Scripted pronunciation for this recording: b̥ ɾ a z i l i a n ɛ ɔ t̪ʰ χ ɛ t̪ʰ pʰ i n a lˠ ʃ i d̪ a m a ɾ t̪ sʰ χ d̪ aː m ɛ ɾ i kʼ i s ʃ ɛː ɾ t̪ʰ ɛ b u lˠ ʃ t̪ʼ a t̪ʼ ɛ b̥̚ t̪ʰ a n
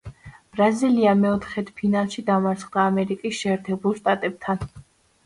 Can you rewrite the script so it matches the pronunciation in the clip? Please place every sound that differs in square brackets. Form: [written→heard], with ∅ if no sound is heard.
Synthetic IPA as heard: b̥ ɾ a z i l i a [n→m] ɛ ɔ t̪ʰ χ ɛ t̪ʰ pʰ i n a lˠ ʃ i d̪ a m a ɾ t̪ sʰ χ d̪ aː m ɛ ɾ i kʼ i s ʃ ɛː ɾ t̪ʰ ɛ b u lˠ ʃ t̪ʼ a t̪ʼ ɛ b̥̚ t̪ʰ a n